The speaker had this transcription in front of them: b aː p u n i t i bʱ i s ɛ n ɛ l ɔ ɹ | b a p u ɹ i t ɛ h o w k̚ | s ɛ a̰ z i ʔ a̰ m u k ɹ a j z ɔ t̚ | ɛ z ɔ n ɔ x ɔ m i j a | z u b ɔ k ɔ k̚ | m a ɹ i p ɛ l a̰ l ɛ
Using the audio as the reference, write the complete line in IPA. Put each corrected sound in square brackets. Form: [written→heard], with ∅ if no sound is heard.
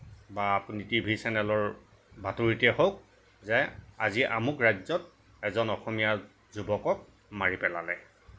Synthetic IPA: b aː p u n i t i bʱ i s ɛ n ɛ l ɔ ɹ | b a [p→t] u ɹ i t ɛ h o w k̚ | [s→z] ɛ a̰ z i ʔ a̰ m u k ɹ a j z ɔ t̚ | ɛ z ɔ n ɔ x ɔ m i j a | z u b ɔ k ɔ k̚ | m a ɹ i p ɛ l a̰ l ɛ